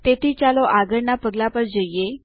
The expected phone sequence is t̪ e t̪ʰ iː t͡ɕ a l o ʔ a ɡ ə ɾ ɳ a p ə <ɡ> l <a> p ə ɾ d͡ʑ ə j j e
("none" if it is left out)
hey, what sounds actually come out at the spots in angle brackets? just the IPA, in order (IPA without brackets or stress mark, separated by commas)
ɡ, a